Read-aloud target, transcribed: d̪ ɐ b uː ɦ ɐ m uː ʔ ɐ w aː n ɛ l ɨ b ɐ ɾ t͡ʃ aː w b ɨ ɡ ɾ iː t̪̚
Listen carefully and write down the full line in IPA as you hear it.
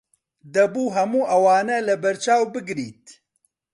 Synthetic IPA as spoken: d̪ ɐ b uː ɦ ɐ m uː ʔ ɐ w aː n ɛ l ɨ b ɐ ɾ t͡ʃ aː w b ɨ ɡ ɾ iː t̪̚